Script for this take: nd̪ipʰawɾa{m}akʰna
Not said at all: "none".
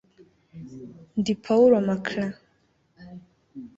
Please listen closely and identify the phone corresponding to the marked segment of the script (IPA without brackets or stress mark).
m